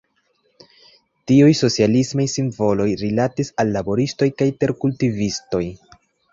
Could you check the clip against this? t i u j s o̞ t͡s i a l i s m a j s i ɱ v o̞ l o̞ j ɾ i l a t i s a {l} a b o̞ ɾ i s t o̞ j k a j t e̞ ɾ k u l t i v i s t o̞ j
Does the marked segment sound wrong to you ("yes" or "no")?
yes